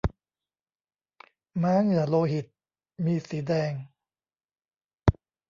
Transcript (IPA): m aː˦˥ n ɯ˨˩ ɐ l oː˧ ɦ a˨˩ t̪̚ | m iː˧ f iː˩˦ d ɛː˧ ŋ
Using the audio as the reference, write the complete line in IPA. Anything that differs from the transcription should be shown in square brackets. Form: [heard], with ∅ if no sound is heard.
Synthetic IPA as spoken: m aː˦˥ [ŋ] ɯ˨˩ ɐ l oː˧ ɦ [i˨˩] t̪̚ | m iː˧ [s] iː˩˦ d ɛː˧ ŋ